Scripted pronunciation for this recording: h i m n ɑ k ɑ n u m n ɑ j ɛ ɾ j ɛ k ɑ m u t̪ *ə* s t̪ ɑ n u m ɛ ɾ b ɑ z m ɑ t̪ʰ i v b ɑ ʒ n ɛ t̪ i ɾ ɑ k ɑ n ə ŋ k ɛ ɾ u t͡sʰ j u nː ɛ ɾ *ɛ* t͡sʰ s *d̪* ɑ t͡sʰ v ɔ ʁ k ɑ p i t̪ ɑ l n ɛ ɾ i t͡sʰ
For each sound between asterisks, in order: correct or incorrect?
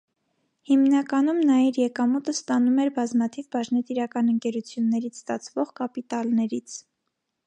correct, incorrect: i, incorrect: t̪

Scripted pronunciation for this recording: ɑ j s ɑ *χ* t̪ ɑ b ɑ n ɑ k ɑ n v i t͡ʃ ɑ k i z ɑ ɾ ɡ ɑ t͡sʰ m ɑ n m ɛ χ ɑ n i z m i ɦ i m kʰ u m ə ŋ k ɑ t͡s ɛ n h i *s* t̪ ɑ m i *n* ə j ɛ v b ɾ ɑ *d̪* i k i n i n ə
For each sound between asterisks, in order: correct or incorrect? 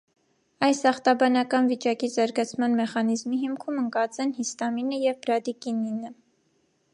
correct, correct, correct, correct

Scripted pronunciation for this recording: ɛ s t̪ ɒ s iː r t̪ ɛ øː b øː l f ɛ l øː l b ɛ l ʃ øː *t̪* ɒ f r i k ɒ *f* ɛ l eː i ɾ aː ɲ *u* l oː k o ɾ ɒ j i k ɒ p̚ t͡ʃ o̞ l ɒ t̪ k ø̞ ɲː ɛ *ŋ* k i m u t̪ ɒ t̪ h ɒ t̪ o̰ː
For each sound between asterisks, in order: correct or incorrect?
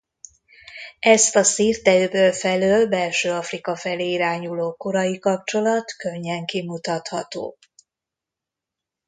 incorrect: none, correct, correct, correct

